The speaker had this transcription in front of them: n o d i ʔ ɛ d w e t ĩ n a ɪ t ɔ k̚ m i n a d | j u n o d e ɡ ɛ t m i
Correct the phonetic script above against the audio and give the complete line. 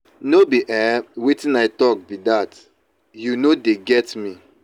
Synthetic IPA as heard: n o b i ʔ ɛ w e t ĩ n a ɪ t ɔ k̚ b i d a t | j u n o d e ɡ ɛ t m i